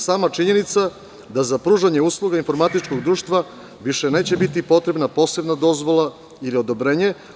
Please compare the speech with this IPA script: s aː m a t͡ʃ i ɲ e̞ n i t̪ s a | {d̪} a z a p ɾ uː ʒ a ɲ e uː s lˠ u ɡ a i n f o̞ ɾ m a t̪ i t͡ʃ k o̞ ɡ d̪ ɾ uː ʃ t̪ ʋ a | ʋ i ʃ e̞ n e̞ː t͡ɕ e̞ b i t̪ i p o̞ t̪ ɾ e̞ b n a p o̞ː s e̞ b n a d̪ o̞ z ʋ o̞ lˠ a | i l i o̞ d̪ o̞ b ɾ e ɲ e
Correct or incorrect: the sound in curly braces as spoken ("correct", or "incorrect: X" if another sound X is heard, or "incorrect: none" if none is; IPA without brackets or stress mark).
correct